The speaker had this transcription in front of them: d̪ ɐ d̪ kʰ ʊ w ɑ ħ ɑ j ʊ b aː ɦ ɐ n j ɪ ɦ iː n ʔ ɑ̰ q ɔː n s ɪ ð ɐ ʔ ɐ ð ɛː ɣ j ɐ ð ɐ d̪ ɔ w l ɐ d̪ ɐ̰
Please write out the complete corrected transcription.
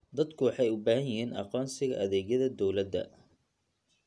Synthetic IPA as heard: d̪ ɐ d̪ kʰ ʊ w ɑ ħ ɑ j ʊ b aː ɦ ɐ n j ɪ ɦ iː n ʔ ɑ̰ q ɔː n s ɪ ɣ ɐ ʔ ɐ ð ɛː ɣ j ɐ ð ɐ d̪ ɔ w l ɐ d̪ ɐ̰